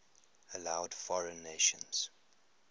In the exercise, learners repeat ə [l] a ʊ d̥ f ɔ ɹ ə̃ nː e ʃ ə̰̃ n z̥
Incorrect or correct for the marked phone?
correct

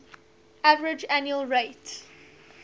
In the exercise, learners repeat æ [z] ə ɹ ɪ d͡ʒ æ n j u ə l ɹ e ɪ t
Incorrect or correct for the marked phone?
incorrect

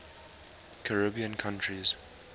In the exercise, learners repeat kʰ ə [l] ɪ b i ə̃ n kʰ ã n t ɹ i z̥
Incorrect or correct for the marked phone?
incorrect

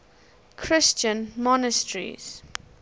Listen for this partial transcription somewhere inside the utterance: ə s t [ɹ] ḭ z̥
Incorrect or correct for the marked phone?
correct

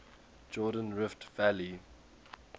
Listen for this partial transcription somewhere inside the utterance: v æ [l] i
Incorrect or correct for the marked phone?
correct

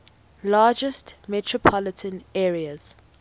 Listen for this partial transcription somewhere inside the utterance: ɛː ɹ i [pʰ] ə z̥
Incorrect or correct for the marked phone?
incorrect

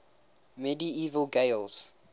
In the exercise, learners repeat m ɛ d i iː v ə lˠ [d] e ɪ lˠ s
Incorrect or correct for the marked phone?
incorrect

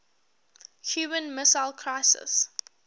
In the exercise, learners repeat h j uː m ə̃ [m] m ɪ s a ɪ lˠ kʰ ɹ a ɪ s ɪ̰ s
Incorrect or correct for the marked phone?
incorrect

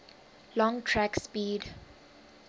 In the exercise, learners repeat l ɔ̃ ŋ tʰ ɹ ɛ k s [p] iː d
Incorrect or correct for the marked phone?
correct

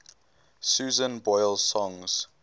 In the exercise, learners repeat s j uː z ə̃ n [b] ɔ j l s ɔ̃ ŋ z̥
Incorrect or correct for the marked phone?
correct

